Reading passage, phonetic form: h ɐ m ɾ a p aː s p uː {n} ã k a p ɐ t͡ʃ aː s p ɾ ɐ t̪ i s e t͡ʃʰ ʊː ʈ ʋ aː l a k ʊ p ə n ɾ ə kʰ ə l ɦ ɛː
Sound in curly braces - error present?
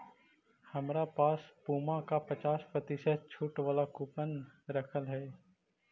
yes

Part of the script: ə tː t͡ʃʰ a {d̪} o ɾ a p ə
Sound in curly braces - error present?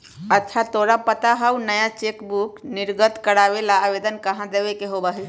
yes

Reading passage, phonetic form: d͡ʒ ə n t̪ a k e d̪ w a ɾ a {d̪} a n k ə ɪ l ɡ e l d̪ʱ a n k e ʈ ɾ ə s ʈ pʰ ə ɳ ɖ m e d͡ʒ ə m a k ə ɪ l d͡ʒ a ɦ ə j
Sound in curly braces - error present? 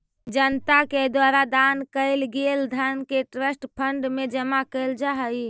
no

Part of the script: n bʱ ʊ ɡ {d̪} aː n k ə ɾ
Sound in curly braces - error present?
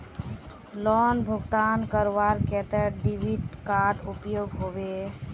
yes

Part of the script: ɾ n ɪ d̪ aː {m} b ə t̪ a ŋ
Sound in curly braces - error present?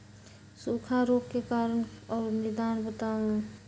yes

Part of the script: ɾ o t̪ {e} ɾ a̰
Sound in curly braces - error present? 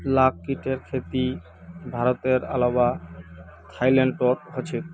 no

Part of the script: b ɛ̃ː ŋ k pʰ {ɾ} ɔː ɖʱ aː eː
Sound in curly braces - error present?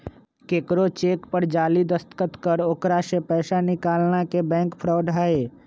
no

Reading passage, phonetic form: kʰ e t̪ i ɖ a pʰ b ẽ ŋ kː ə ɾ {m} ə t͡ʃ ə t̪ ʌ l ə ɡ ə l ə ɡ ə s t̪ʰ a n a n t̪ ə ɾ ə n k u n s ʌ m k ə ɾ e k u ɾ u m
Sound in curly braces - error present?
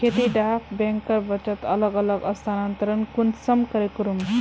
yes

